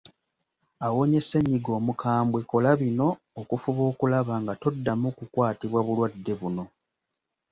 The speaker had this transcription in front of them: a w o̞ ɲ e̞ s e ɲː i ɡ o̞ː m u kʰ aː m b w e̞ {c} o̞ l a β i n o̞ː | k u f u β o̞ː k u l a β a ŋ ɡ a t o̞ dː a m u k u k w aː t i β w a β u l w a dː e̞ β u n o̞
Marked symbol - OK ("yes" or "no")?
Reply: no